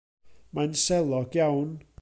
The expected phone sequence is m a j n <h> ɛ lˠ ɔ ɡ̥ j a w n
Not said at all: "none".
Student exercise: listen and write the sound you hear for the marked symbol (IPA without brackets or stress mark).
s